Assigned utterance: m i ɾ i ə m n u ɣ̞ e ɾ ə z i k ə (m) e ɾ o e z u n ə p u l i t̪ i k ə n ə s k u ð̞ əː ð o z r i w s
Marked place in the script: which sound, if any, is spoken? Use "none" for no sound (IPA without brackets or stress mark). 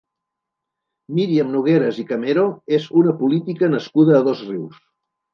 m